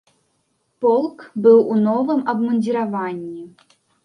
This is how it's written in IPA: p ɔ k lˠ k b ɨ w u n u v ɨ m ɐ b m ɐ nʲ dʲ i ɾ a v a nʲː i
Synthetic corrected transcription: p ɔ lˠ k b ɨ w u n ɔ v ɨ m ɐ b m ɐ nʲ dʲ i ɾ a v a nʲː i